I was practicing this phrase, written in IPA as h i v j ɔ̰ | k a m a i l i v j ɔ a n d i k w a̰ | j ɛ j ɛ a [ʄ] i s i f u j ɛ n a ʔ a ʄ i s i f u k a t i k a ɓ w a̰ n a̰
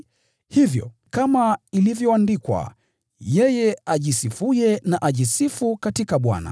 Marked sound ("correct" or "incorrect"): correct